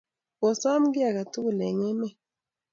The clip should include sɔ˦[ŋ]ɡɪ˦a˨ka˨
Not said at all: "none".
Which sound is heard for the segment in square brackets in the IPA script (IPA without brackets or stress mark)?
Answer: m